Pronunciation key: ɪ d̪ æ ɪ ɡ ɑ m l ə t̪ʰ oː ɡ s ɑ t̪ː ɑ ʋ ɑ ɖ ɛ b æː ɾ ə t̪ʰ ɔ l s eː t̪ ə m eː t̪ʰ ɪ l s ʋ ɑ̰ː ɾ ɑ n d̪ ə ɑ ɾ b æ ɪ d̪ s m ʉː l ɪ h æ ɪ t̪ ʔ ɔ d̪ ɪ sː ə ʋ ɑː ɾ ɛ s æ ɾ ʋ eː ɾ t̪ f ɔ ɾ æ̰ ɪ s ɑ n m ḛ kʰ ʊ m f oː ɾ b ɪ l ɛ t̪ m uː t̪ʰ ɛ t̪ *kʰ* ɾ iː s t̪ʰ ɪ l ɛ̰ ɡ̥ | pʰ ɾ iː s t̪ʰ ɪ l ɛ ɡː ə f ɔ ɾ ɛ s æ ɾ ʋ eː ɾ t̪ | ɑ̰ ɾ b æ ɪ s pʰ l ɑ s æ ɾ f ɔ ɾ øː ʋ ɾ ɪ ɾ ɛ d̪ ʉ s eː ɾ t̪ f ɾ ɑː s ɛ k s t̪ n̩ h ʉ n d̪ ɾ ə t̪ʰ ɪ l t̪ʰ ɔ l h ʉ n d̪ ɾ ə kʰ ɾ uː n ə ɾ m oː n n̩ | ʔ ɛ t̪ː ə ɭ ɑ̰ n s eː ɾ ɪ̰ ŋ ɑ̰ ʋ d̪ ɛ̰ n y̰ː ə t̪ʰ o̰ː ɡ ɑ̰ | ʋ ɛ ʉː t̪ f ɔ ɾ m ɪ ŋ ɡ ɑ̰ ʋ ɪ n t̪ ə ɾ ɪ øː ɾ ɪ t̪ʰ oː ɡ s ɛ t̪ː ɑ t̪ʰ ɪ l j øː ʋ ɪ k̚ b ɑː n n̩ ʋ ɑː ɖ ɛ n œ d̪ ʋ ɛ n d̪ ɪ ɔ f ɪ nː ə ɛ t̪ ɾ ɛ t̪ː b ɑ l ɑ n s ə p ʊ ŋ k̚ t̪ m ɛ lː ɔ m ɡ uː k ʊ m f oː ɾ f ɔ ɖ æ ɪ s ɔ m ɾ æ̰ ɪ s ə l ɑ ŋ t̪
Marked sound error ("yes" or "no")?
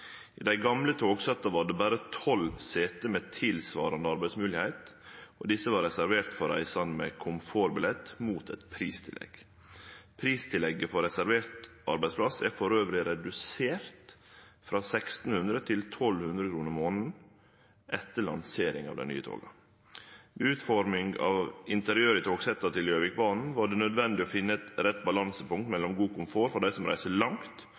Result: yes